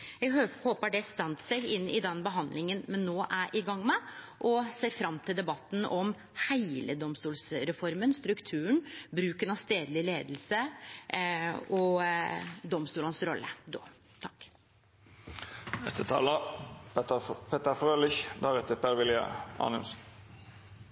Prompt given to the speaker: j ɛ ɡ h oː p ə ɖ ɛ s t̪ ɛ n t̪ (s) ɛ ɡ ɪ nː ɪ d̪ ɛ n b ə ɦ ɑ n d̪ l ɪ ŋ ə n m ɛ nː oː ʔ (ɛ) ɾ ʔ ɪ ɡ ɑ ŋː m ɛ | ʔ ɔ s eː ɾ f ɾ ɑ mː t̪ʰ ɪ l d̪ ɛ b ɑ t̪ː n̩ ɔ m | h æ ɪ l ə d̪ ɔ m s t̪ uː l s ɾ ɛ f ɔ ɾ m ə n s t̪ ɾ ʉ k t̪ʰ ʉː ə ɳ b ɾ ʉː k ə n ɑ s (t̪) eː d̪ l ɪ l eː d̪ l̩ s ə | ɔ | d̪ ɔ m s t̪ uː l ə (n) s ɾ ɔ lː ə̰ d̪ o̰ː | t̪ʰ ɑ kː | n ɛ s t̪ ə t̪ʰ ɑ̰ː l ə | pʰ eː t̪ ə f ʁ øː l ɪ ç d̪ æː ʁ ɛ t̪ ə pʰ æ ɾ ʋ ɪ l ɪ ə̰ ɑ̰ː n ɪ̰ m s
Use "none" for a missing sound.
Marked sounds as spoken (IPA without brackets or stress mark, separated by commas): s, æ, t̪, n